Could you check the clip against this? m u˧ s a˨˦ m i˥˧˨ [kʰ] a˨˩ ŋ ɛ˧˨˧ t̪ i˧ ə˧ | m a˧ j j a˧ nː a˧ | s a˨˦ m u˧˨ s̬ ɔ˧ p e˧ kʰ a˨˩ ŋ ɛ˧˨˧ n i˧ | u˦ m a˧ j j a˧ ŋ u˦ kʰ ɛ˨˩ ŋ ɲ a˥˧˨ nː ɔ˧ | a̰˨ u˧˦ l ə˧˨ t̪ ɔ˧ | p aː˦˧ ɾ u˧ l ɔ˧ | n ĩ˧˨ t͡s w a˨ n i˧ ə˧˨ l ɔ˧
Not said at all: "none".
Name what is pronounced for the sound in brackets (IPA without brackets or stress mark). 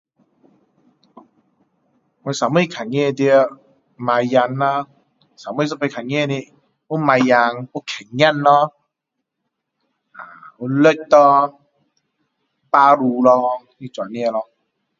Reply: kʰ